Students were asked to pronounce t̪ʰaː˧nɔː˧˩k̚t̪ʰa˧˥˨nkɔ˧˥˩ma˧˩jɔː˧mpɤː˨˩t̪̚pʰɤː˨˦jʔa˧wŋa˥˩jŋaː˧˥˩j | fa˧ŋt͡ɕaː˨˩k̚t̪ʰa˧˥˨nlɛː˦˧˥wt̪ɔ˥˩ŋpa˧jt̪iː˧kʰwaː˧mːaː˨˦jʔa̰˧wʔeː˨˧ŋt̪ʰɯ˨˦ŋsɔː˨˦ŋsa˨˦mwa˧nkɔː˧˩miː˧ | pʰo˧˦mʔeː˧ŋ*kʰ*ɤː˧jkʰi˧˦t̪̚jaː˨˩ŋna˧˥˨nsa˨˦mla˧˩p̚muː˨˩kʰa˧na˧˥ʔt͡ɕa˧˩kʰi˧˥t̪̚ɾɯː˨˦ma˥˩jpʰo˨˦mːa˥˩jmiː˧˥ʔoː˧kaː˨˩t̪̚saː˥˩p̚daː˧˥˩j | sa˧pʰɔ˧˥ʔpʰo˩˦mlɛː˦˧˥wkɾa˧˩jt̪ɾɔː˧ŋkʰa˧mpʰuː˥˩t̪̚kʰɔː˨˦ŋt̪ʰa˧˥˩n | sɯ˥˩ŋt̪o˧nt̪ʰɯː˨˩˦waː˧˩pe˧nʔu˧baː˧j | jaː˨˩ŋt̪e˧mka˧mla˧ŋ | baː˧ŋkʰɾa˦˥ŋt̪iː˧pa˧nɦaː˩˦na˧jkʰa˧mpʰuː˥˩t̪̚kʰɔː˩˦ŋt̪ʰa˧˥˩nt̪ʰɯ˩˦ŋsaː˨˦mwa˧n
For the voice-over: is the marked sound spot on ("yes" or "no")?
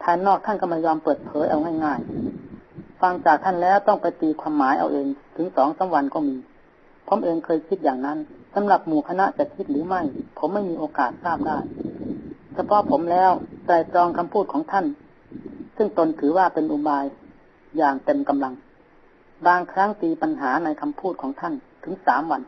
yes